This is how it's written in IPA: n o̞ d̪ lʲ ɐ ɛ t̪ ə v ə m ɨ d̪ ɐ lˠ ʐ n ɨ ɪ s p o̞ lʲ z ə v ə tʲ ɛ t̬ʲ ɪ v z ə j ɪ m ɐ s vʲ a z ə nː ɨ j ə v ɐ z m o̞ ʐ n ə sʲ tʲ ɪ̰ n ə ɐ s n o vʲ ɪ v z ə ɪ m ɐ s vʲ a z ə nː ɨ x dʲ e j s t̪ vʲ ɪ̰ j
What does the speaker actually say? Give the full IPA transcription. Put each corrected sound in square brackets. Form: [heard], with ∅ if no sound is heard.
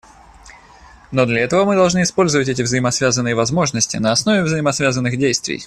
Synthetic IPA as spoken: n o̞ d̪ lʲ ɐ ɛ t̪ ə v ə m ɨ d̪ ɐ lˠ ʐ n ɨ ɪ s p o̞ lʲ z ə v ə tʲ ɛ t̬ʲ ɪ v z ə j ɪ m ɐ s vʲ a z ə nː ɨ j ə v ɐ z m o̞ ʐ n ə sʲ tʲ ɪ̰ n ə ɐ s n o vʲ ɪ v z ə ɪ m ɐ s vʲ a z ə nː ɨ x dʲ e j s t̪ vʲ ɪ̰ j